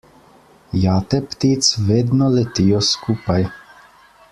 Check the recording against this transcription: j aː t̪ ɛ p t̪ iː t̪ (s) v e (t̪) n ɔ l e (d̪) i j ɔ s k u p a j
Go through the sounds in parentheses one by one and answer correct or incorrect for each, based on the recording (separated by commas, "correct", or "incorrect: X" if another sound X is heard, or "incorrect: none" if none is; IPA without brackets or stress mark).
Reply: correct, incorrect: d̪, incorrect: t̪